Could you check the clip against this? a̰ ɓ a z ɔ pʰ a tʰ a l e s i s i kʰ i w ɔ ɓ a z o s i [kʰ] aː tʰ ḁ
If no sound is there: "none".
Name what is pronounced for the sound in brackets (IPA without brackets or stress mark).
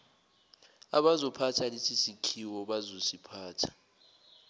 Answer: pʰ